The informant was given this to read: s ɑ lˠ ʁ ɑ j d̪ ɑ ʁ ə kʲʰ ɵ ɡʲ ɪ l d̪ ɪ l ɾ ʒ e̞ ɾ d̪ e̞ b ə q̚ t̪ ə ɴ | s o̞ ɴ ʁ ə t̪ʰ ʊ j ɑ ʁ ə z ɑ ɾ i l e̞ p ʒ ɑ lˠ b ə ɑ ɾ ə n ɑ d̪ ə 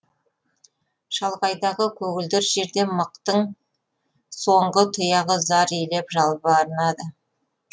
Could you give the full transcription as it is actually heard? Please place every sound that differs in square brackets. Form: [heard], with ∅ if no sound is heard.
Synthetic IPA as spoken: [ʃ] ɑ lˠ ʁ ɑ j d̪ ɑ ʁ ə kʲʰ ɵ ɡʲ ɪ l d̪ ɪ [∅] ɾ ʒ e̞ ɾ d̪ e̞ [m] ə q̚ t̪ ə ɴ | s o̞ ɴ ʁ ə t̪ʰ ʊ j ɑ ʁ ə z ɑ ɾ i l e̞ p ʒ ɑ lˠ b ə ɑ ɾ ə n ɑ d̪ ə

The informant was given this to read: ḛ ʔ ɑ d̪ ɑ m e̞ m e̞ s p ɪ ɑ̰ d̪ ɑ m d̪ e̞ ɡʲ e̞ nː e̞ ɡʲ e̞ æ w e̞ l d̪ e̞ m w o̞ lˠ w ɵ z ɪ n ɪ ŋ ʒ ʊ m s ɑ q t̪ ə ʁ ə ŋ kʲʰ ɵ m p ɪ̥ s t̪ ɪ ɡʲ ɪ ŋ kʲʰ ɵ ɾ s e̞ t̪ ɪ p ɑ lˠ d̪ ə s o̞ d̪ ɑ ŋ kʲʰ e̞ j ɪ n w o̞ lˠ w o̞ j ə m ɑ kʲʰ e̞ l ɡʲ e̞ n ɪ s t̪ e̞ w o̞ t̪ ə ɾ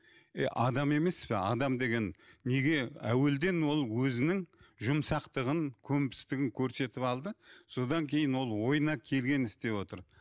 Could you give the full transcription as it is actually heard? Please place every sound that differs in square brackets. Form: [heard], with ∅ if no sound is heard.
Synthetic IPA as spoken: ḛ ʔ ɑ d̪ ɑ m e̞ m e̞ s p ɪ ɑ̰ d̪ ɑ m d̪ e̞ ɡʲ e̞ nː e̞ ɡʲ e̞ æ w e̞ l d̪ e̞ [n] w o̞ lˠ w ɵ z ɪ n ɪ ŋ ʒ ʊ m s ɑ q t̪ ə ʁ ə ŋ kʲʰ ɵ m p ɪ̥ s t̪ ɪ ɡʲ ɪ ŋ kʲʰ ɵ ɾ s e̞ t̪ ɪ p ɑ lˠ d̪ ə s o̞ d̪ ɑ ŋ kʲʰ e̞ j ɪ n w o̞ lˠ w o̞ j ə [n] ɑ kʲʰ e̞ l ɡʲ e̞ n ɪ s t̪ e̞ w o̞ t̪ ə ɾ

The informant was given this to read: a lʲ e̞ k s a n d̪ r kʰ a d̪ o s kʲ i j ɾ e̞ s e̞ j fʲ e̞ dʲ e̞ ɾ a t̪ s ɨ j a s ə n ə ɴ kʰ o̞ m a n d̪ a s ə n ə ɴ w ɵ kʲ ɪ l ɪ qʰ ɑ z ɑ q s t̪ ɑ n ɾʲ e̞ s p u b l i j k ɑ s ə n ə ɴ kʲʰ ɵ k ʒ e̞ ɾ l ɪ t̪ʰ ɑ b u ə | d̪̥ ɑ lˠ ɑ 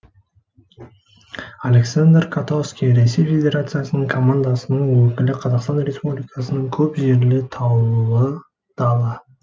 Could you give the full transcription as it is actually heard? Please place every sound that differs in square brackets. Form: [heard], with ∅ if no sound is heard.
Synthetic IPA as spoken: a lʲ e̞ k s a n d̪ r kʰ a [t̪] o s kʲ i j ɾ e̞ s e̞ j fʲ e̞ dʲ e̞ ɾ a t̪ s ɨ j a s ə n ə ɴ kʰ o̞ m a n d̪ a s ə n ə ɴ w ɵ kʲ ɪ l ɪ qʰ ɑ z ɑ q s t̪ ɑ n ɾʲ e̞ s p u b l i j k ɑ s ə n ə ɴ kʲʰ ɵ [p] ʒ e̞ ɾ l ɪ t̪ʰ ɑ [w] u ə | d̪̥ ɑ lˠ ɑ

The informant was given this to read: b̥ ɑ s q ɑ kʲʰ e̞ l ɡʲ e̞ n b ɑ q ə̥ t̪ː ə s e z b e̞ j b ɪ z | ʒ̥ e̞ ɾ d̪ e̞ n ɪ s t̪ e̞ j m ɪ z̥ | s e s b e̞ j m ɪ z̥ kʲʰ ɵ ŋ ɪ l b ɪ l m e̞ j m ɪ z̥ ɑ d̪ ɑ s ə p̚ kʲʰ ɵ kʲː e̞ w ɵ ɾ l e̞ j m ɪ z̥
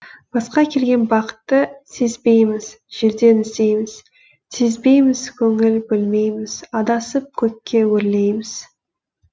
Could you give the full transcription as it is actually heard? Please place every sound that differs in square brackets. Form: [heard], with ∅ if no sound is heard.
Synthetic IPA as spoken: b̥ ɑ s q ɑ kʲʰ e̞ l ɡʲ e̞ n b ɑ q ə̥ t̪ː ə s e z b e̞ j [m] ɪ z | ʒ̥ e̞ ɾ d̪ e̞ n ɪ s t̪ e̞ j m ɪ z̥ | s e [z] b e̞ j m ɪ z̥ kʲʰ ɵ ŋ ɪ l b ɪ l m e̞ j m ɪ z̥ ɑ d̪ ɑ s ə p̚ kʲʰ ɵ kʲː e̞ w ɵ ɾ l e̞ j m ɪ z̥

